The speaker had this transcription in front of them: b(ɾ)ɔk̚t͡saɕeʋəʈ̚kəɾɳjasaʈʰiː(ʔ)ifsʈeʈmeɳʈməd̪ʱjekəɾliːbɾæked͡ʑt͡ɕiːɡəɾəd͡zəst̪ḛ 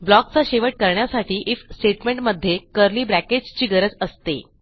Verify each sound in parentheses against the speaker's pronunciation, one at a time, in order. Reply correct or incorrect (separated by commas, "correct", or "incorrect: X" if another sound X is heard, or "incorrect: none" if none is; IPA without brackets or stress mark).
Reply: incorrect: l, correct